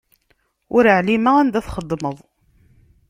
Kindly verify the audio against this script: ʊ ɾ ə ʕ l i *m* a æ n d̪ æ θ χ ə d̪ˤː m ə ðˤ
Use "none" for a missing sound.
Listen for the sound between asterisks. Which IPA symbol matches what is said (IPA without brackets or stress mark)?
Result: m